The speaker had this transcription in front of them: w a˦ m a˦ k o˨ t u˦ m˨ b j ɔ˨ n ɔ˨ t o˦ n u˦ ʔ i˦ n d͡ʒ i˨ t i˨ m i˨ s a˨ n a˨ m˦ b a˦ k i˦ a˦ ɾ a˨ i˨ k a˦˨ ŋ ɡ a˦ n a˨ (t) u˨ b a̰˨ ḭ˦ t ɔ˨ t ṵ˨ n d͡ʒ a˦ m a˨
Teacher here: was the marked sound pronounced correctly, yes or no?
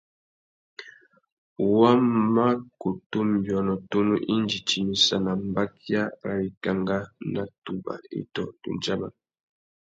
yes